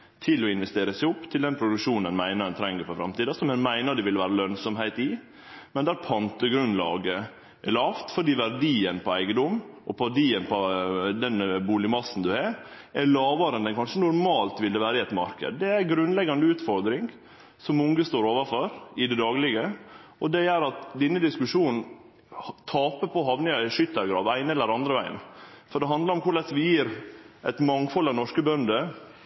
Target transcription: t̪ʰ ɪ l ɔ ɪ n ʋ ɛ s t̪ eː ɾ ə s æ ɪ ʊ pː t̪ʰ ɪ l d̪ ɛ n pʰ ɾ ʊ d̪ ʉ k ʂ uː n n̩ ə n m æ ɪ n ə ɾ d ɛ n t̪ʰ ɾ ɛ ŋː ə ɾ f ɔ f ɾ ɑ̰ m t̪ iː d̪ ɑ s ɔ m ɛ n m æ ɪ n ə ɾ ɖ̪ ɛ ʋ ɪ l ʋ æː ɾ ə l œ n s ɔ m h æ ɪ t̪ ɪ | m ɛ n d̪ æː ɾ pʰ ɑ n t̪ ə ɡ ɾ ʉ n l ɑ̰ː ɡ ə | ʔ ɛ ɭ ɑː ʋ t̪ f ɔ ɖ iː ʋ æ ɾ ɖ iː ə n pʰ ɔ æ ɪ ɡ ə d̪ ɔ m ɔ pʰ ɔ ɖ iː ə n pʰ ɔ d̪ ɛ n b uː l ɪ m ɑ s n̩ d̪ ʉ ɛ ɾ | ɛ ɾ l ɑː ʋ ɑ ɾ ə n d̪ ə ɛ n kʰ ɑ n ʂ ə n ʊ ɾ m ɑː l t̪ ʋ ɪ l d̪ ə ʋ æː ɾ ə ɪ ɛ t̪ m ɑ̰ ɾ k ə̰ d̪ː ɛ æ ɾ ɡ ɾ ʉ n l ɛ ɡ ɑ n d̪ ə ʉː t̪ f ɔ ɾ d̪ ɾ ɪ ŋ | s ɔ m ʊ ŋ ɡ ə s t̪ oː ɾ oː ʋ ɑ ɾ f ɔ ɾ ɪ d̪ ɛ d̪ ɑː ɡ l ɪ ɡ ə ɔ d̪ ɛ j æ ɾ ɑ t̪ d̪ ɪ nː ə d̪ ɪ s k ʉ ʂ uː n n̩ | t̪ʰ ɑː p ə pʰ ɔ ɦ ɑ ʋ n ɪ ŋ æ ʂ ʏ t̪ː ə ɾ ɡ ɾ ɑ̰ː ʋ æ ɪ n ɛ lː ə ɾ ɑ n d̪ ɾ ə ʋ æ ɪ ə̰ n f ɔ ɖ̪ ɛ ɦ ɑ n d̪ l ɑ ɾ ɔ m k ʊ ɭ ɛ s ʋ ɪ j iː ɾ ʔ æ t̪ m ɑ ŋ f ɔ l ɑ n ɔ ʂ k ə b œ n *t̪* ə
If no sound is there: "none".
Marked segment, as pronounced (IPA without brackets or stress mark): d̪